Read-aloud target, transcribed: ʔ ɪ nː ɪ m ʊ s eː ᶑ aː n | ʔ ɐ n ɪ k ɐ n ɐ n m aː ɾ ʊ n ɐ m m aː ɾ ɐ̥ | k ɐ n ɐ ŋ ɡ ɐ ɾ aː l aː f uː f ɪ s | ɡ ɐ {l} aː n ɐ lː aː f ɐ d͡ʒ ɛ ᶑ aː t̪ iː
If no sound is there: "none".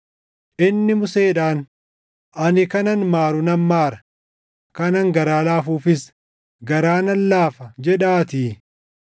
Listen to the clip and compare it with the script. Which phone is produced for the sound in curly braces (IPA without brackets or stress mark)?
ɾ